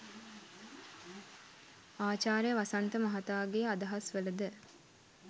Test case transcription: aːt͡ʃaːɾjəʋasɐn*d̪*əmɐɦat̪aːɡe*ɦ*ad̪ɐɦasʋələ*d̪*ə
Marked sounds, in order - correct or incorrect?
incorrect, incorrect, correct

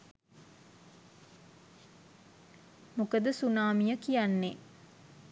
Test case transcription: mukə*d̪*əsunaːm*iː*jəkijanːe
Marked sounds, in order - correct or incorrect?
correct, incorrect

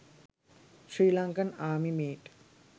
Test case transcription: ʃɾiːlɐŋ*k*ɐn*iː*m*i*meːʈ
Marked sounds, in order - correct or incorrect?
correct, incorrect, correct

